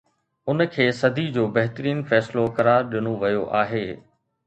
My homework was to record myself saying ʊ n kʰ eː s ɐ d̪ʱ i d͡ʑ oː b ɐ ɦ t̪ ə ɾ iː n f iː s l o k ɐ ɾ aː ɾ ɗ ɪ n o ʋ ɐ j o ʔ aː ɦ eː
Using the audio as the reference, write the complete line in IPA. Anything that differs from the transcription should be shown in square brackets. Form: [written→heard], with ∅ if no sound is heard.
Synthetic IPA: ʊ n kʰ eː s ɐ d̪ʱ i d͡ʑ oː b ɐ ɦ t̪ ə ɾ iː n f [iː→ɛː] s l o k ɐ ɾ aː ɾ ɗ ɪ n o ʋ ɐ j o ʔ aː ɦ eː